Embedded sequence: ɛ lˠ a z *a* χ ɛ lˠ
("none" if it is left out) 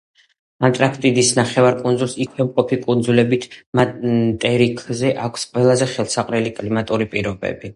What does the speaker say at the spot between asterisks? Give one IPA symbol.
ɛ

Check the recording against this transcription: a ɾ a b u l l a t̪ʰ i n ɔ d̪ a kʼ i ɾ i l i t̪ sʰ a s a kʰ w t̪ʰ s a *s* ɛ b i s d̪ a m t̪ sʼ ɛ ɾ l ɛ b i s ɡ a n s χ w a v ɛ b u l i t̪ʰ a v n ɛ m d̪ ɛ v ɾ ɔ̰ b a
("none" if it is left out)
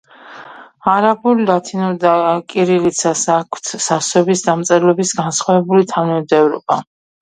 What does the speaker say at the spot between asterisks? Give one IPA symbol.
s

